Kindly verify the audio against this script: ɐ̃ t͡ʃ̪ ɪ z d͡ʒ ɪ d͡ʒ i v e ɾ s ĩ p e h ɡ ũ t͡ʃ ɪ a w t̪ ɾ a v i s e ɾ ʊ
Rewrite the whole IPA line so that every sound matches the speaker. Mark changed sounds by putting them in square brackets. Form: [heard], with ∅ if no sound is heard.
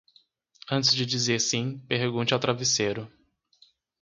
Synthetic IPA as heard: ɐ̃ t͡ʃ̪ ɪ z d͡ʒ ɪ d͡ʒ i [z] e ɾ s ĩ p e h ɡ ũ t͡ʃ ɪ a w t̪ ɾ a v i s e ɾ ʊ

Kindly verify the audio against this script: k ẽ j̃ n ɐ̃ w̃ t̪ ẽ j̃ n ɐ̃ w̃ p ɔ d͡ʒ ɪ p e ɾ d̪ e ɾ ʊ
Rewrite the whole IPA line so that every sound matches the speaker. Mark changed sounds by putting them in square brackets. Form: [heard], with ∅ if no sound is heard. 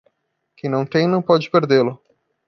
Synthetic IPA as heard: k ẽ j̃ n ɐ̃ w̃ t̪ ẽ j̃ n ɐ̃ w̃ p ɔ d͡ʒ ɪ p e ɾ d̪ e [l] ʊ

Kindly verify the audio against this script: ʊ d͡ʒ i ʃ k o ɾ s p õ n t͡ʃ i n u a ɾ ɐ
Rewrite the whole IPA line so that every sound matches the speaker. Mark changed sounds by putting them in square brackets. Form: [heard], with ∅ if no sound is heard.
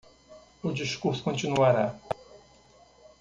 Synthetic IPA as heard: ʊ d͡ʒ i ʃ k [u] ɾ s [k] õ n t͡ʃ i n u a ɾ [a]

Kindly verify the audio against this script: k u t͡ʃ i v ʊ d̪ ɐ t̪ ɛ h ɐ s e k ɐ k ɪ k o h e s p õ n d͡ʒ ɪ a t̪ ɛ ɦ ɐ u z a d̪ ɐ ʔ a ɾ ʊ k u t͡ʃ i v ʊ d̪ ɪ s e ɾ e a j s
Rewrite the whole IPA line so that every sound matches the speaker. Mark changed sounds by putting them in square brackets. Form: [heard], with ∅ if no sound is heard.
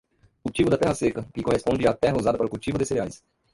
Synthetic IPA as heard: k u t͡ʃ i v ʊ d̪ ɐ t̪ ɛ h ɐ s e k ɐ k ɪ k o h e s p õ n d͡ʒ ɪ a t̪ ɛ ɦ ɐ u z a d̪ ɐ [p] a ɾ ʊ k u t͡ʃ i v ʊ d̪ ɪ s e ɾ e a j s

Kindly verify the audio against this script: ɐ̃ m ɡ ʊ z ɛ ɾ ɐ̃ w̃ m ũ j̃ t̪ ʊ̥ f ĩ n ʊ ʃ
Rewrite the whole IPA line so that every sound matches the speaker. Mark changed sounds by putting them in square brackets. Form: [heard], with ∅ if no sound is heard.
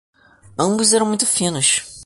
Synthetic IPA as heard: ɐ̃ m [b] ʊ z ɛ ɾ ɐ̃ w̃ m ũ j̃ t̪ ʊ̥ f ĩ n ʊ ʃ

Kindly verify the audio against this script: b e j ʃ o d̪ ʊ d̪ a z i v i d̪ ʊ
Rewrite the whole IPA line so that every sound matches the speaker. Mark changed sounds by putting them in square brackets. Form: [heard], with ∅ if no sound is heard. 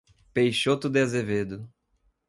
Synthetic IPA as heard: [p] e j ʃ o [t̪] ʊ d̪ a z [e] v [e] d̪ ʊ

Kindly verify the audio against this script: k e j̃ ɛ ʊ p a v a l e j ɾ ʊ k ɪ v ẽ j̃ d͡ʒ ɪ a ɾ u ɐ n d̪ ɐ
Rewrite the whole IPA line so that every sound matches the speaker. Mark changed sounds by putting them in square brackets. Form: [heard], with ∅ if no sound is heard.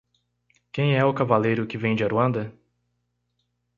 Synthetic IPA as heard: k [ẽ] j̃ ɛ ʊ [k] a v a l e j ɾ ʊ k ɪ v ẽ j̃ d͡ʒ ɪ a ɾ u [ɐ̃] n d̪ ɐ

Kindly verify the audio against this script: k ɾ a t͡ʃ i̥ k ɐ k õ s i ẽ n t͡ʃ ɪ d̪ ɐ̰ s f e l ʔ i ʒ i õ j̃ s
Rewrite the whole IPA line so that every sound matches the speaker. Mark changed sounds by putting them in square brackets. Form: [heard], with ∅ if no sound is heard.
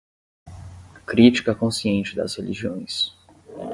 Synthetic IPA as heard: k ɾ [i] t͡ʃ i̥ k ɐ k õ s i ẽ n t͡ʃ ɪ d̪ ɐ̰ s [h] e l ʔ i ʒ i õ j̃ s

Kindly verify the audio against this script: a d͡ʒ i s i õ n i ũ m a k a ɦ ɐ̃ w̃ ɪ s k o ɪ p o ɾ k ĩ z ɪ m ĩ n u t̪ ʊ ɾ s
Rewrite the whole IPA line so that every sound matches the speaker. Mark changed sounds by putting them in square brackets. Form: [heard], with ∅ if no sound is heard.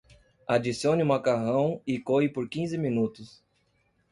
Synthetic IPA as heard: a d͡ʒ i s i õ n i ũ m a k a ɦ ɐ̃ w̃ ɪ [∅] k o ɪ p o ɾ k ĩ z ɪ m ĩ n u t̪ ʊ [∅] s

